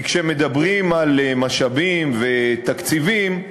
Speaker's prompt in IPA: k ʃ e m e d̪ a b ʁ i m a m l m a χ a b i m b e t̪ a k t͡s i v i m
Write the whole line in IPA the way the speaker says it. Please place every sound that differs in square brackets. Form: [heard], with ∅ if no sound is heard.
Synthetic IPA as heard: k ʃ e m e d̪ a b ʁ i m a [∅] l m a [ʃ] a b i m [v] e t̪ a k t͡s i v i m